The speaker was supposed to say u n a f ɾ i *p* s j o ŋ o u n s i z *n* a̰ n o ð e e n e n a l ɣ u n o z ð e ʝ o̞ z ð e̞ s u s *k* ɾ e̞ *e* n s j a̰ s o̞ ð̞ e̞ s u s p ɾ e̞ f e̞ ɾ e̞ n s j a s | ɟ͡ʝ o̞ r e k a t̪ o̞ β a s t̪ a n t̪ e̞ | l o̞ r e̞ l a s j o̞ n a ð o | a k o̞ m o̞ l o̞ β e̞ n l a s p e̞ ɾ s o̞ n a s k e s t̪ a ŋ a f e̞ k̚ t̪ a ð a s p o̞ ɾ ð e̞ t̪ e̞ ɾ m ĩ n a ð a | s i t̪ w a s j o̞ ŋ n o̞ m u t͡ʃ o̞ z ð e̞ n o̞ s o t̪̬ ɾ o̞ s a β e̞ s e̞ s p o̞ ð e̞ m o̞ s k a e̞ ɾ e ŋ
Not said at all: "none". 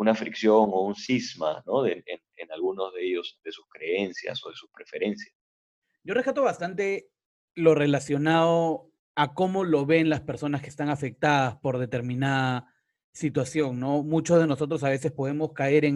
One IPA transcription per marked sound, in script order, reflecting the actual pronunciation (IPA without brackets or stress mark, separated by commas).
k, m, k, e